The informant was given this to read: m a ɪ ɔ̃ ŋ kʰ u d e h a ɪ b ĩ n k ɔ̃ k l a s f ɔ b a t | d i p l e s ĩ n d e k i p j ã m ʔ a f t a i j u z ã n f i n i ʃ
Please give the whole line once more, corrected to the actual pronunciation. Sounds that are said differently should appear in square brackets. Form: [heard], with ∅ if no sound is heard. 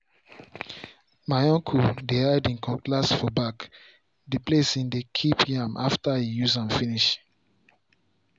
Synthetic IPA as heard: m a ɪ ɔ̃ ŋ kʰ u d e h a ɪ [d] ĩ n k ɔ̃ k l a s f ɔ b a [k] | d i p l e s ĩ n d e [kʰ] i p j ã m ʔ a f t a i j u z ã n f i n i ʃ